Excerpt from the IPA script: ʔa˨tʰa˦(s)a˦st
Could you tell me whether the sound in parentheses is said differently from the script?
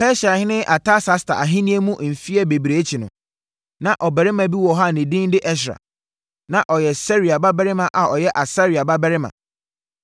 no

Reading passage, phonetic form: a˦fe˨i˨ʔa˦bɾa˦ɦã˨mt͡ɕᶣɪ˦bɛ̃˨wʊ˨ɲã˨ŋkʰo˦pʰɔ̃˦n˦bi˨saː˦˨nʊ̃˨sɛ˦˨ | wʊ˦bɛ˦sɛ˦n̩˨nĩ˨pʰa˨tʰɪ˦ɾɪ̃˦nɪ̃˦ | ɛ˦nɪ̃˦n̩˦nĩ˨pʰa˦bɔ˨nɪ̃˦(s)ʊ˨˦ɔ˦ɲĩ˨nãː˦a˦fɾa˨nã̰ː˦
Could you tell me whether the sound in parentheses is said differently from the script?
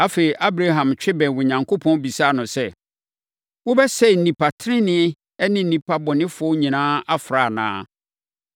yes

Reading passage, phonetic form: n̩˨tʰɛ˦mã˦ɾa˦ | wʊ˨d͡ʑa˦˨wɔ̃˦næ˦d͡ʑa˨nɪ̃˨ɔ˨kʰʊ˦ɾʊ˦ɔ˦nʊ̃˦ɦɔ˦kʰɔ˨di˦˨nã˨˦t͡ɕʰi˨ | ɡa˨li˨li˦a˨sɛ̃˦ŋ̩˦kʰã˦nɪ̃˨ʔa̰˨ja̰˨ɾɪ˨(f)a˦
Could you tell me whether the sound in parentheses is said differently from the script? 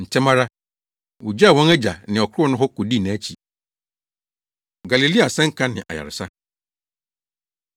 yes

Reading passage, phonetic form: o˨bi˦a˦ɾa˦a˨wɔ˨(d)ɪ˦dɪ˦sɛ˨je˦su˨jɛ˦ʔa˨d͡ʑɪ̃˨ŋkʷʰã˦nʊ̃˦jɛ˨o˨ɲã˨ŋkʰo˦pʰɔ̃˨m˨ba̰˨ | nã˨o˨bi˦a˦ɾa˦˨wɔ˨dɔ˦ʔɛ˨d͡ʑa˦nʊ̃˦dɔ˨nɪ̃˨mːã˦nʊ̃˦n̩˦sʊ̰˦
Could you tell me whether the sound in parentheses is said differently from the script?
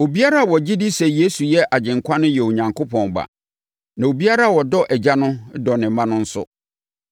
yes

